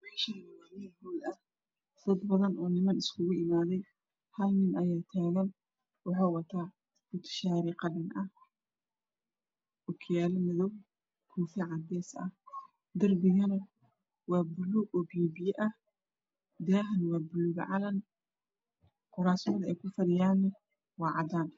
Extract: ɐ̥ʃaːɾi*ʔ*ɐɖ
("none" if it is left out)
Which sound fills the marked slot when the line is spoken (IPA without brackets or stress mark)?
q